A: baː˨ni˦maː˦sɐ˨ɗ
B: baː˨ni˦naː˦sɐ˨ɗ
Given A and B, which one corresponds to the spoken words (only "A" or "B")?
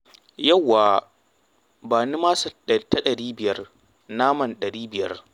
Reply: A